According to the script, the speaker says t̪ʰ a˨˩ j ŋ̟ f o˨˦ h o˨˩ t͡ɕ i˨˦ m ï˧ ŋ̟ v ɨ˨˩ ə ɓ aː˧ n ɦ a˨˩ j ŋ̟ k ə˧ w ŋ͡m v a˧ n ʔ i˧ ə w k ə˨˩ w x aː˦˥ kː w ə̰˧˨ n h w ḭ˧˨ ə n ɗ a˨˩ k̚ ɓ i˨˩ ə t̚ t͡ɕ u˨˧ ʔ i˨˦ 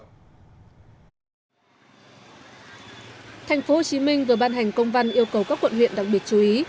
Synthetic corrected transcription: t̪ʰ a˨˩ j ŋ̟ f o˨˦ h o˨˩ t͡ɕ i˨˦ m ï˧ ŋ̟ v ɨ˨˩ ə ɓ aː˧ n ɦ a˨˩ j ŋ̟ k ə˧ w ŋ͡m v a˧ n ʔ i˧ ə w k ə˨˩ w k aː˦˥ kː w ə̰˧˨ n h w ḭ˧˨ ə n ɗ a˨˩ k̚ ɓ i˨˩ ə t̚ t͡ɕ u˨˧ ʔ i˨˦

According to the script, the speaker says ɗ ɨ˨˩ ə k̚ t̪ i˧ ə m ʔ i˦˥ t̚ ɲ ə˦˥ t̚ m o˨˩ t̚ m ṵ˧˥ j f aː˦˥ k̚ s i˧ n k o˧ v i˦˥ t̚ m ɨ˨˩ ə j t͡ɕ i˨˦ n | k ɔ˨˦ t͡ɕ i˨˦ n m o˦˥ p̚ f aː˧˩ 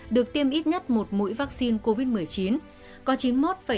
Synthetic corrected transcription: ɗ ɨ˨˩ ə k̚ t̪ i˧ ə m ʔ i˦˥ t̚ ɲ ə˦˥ t̚ m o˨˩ t̚ m ṵ˧˥ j v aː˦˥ k̚ s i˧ n k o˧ v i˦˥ t̚ m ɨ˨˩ ə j t͡ɕ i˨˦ n | k ɔ˨˦ t͡ɕ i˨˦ n m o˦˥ t̚ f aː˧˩

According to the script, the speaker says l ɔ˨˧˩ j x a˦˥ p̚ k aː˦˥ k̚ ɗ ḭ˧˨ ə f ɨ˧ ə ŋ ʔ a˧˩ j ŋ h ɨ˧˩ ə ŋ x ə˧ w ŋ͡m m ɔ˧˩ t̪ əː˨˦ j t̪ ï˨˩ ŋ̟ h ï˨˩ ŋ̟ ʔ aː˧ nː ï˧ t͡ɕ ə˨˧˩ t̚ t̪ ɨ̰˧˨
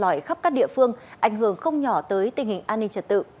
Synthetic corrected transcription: l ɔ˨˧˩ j x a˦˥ p̚ k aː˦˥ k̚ ɗ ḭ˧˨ ə f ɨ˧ ə ŋ ʔ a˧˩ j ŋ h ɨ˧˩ ə ŋ x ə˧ w ŋ͡m ɲ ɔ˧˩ t̪ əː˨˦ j t̪ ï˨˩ ŋ̟ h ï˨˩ ŋ̟ ʔ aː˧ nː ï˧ t͡ɕ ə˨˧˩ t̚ t̪ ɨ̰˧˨

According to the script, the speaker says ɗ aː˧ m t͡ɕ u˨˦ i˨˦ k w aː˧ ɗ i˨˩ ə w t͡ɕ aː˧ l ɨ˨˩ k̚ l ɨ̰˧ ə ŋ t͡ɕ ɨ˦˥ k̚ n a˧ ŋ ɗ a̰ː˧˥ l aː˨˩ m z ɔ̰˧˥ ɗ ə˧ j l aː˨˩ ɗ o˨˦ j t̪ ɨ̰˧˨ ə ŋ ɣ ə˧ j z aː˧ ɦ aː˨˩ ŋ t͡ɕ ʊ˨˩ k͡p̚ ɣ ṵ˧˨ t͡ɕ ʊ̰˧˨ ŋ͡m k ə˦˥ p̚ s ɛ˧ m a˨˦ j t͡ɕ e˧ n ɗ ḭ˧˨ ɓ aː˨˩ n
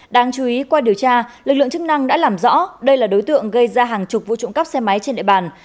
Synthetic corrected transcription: ɗ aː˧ ŋ t͡ɕ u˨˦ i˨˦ k w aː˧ ɗ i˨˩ ə w t͡ɕ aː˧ l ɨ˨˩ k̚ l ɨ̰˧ ə ŋ t͡ɕ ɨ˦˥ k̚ n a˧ ŋ ɗ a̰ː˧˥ l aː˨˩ m z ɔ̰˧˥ ɗ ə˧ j l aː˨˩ ɗ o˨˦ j t̪ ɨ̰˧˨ ə ŋ ɣ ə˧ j z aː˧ ɦ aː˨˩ ŋ t͡ɕ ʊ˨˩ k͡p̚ v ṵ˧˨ t͡ɕ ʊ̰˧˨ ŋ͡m k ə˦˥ p̚ s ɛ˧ m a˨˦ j t͡ɕ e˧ n ɗ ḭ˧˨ ɓ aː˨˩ n

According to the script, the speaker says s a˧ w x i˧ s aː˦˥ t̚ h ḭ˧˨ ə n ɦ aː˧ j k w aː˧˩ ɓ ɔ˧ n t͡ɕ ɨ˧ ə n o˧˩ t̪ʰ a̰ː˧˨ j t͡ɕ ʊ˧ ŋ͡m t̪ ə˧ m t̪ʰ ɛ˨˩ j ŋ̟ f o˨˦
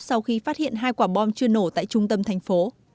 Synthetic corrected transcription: s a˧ w x i˧ f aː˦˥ t̚ h ḭ˧˨ ə n ɦ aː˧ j k w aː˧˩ ɓ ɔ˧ n t͡ɕ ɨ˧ ə n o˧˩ t̪ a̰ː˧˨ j t͡ɕ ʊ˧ ŋ͡m t̪ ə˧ m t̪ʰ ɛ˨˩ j ŋ̟ f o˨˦

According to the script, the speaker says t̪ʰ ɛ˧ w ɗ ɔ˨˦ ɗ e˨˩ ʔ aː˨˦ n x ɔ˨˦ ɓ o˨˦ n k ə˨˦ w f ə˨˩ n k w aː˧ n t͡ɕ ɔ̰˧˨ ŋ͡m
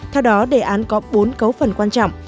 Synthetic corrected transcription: t̪ʰ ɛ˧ w ɗ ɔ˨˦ ɗ e˨˩ ʔ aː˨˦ n k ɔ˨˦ ɓ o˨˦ n k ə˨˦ w f ə˨˩ n k w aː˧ n t͡ɕ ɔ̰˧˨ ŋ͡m

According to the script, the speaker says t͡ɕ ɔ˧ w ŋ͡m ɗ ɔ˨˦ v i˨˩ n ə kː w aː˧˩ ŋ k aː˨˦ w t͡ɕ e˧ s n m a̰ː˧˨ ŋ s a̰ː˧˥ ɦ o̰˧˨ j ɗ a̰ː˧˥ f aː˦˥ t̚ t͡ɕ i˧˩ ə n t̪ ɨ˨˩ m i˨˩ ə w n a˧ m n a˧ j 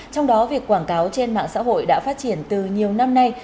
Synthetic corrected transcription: t͡ɕ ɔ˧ w ŋ͡m ɗ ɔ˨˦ v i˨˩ ə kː w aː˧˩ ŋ k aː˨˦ w t͡ɕ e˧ n m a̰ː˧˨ ŋ s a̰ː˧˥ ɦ o̰˧˨ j ɗ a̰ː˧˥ f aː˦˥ t̚ t͡ɕ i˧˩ ə n t̪ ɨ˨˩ ɲ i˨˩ ə w n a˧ m n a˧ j

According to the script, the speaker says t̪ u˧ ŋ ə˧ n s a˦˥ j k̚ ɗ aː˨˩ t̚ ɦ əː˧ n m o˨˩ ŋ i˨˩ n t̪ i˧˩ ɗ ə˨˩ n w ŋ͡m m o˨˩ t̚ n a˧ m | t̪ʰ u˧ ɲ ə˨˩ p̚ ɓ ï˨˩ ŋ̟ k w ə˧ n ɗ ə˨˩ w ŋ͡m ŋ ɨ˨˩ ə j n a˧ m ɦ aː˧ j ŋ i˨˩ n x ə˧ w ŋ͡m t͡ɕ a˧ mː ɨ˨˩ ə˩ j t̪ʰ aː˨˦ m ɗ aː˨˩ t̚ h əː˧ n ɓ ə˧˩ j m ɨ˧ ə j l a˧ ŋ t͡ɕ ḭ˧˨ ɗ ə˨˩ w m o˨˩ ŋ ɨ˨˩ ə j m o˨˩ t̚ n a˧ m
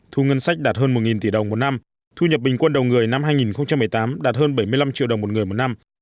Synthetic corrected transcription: t̪ʰ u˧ ŋ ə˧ n s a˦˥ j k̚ ɗ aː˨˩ t̚ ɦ əː˧ n m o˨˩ ŋ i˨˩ n t̪ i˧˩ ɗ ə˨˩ w ŋ͡m m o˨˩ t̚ n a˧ m | t̪ʰ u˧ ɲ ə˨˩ p̚ ɓ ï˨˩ ŋ̟ k w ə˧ n ɗ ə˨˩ w ŋ͡m ŋ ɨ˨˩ ə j n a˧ m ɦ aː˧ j ŋ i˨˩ n x ə˧ w ŋ͡m t͡ɕ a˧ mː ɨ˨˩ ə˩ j t̪ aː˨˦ m ɗ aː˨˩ t̚ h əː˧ n ɓ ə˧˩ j m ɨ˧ ə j l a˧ m t͡ɕ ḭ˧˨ ɗ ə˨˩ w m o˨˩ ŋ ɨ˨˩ ə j m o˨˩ t̚ n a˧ m

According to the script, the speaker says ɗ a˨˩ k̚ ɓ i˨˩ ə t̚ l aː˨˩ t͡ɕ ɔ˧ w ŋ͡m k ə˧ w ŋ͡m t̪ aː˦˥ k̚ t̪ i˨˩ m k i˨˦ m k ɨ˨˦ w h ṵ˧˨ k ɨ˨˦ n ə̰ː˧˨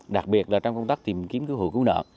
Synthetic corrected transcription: ɗ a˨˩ k̚ ɓ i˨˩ ə t̚ l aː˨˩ t͡ɕ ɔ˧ w ŋ͡m k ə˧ w ŋ͡m t̪ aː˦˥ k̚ t̪ i˨˩ m k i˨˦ m k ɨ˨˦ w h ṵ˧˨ k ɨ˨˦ n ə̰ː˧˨

